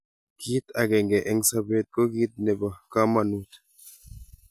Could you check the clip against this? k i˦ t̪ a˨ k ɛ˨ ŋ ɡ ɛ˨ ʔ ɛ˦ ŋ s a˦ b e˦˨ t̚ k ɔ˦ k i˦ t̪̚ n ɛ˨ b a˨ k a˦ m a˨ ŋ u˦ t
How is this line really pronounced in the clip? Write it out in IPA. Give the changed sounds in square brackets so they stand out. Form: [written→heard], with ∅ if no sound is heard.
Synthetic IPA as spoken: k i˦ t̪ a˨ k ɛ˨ ŋ ɡ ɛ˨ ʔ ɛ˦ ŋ s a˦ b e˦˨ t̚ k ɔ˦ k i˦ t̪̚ n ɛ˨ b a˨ k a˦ m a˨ [ŋ→n] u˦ t